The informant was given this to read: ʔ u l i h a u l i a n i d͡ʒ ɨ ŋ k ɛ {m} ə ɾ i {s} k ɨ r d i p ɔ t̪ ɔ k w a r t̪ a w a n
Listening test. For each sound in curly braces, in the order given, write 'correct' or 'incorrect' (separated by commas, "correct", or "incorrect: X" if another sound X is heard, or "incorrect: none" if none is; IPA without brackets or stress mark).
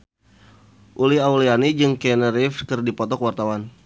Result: incorrect: n, incorrect: f